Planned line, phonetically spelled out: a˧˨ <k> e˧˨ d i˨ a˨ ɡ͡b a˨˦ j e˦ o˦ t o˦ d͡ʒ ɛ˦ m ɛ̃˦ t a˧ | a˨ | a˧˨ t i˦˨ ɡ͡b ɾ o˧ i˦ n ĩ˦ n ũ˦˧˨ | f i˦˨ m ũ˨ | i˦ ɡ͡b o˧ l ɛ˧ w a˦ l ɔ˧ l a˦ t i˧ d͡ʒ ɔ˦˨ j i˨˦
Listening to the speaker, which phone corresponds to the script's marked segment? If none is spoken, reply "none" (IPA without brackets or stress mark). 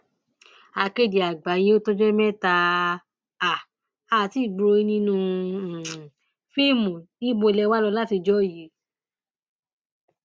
k